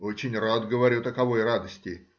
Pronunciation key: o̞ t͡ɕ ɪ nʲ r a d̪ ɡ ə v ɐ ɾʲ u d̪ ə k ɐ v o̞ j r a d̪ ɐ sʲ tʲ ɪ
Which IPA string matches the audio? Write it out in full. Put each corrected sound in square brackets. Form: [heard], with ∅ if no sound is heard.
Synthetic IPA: o̞ t͡ɕ ɪ nʲ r a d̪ ɡ ə v ɐ ɾʲ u [t̪] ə k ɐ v o̞ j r a d̪ [ə] sʲ tʲ ɪ